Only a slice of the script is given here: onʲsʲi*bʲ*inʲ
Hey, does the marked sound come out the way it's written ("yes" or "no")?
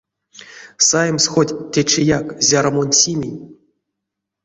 no